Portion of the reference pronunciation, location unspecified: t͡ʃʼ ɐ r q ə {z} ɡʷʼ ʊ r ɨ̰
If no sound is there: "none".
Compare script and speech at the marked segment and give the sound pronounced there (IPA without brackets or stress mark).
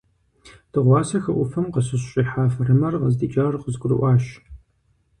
z